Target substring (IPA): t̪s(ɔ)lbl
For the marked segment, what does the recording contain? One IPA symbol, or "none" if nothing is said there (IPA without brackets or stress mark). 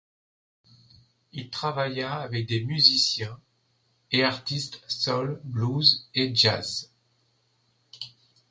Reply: ɔ